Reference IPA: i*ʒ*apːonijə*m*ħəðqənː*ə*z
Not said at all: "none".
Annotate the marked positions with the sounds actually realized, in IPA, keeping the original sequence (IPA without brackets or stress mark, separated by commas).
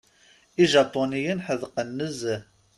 ʒ, n, ə